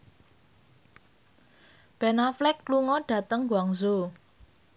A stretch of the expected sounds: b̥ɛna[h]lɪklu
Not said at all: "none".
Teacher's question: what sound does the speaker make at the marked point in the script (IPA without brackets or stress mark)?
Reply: f